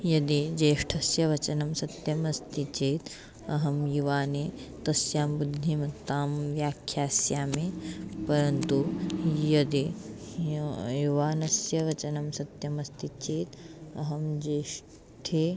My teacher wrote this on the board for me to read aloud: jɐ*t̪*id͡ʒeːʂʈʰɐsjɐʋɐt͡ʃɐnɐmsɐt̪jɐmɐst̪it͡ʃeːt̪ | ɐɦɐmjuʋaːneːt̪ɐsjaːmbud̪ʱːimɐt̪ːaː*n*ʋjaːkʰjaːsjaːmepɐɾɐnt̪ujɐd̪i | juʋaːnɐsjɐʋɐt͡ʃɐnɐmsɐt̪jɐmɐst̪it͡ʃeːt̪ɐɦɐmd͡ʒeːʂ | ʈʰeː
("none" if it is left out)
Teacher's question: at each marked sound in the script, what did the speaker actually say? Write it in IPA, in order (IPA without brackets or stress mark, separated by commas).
d̪, m